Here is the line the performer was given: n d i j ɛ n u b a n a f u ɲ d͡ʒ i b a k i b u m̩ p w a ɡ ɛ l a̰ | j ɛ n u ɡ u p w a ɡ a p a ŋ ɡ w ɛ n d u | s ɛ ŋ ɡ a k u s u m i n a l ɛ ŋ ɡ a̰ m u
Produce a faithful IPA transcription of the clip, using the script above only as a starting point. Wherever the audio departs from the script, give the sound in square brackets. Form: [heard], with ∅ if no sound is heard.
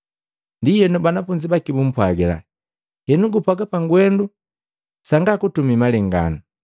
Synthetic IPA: n d i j ɛ n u b a n a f u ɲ d͡ʒ i b a k i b u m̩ p w a ɡ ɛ l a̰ | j ɛ n u ɡ u p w a ɡ a p a ŋ ɡ w ɛ n d u | s [a] ŋ ɡ a k u [t] u m i [m] a l ɛ ŋ ɡ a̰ [n] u

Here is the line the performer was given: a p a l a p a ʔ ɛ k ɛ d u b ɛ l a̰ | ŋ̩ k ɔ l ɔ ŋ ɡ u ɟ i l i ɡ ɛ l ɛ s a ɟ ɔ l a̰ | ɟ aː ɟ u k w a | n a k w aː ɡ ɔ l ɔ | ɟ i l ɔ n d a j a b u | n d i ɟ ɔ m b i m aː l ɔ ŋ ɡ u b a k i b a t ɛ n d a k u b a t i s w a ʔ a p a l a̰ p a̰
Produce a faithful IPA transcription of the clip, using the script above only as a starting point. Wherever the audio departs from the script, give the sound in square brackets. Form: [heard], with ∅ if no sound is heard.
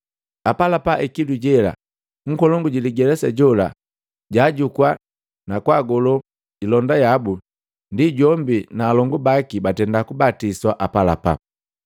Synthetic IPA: a p a l a p a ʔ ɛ k [i] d u [ɟ] ɛ l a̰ | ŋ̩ k ɔ l ɔ ŋ ɡ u ɟ i l i ɡ ɛ l ɛ s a ɟ ɔ l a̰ | ɟ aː ɟ u k w a | n a k w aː ɡ ɔ l ɔ | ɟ i l ɔ n d a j a b u | n d i ɟ ɔ m b i [n] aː l ɔ ŋ ɡ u b a k i b a t ɛ n d a k u b a t i s w a ʔ a p a l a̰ p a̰

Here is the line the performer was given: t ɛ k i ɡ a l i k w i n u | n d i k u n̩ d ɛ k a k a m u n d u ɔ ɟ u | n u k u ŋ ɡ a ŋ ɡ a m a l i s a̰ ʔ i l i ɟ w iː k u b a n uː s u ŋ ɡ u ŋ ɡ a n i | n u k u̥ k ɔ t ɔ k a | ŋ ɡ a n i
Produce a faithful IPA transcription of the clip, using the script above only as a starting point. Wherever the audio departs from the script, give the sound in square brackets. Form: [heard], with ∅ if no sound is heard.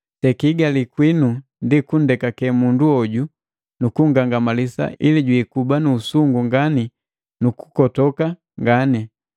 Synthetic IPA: t ɛ k i ɡ a l i k w i n u | n d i k u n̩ d ɛ k a k [ɛ] m u n d u ɔ ɟ u | n u k u ŋ ɡ a ŋ ɡ a m a l i s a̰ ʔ i l i ɟ w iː k u b a n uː s u ŋ ɡ u ŋ ɡ a n i | n u k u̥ k ɔ t ɔ k a | ŋ ɡ a n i

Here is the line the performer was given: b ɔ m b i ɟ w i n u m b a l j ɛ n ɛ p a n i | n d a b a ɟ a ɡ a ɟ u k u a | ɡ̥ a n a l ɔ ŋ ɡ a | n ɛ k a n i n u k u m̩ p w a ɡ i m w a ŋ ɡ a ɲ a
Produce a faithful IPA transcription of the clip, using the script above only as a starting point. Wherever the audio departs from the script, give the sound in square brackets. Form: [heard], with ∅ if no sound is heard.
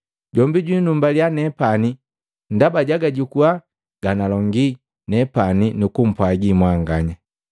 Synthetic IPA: [ɟ] ɔ m b i ɟ w i n u m b a l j [a] n ɛ p a n i | n d a b a ɟ a ɡ a ɟ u k u a | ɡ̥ a n a l ɔ ŋ ɡ [i] | n ɛ [p] a n i n u k u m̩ p w a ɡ i m w a ŋ ɡ a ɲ a

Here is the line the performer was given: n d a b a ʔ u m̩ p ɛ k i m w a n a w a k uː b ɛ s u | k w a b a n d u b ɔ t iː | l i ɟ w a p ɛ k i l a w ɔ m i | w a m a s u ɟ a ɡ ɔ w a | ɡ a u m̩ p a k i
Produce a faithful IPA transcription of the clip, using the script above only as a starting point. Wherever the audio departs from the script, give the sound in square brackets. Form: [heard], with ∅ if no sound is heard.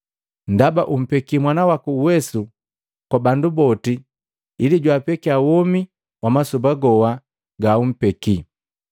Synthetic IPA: n d a b a ʔ u m̩ p ɛ k i m w a n a w a k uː [w] ɛ s u | k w a b a n d u b ɔ t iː | l i ɟ w a p ɛ k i [∅] a w ɔ m i | w a m a s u [b] a ɡ ɔ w a | ɡ a u m̩ p [ɛ] k i

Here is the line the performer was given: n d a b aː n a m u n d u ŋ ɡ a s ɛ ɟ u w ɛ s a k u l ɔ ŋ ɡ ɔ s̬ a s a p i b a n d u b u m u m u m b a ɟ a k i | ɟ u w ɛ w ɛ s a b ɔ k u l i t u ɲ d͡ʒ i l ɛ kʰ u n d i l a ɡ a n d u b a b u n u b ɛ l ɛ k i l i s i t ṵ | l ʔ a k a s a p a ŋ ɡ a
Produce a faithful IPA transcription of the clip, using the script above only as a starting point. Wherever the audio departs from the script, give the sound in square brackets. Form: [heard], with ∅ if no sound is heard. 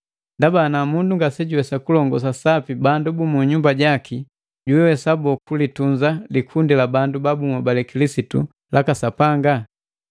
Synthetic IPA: n d a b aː n a m u n d u ŋ ɡ a s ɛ ɟ u w ɛ s a k u l ɔ ŋ ɡ ɔ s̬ a s a p i b a n d u b u m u [ɲ] u m b a ɟ a k i | ɟ u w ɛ w ɛ s a b ɔ k u l i t u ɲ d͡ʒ [a] l [i] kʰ u n d i l a [b] a n d u b a b u [m] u b [a] l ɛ k i l i s i t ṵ | l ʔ a k a s a p a ŋ ɡ a

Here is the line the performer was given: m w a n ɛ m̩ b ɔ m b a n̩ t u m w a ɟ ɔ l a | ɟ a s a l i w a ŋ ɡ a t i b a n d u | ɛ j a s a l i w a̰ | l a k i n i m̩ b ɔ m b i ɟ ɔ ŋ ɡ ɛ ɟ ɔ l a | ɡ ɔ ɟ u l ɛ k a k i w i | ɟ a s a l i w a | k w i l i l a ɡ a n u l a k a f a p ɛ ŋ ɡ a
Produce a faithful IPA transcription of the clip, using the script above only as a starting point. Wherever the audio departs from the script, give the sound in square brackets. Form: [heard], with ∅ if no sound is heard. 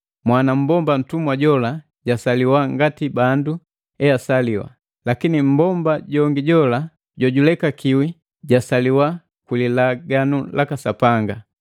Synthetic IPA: m w a n [a] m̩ b ɔ m b a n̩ t u m w a ɟ ɔ l a | ɟ a s a l i w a ŋ ɡ a t i b a n d u | ɛ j a s a l i w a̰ | l a k i n i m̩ b ɔ m b [a] ɟ ɔ ŋ ɡ [i] ɟ ɔ l a | [ɟ] ɔ ɟ u l ɛ k a k i w i | ɟ a s a l i w a | k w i l i l a ɡ a n u l a k a [s] a p [a] ŋ ɡ a

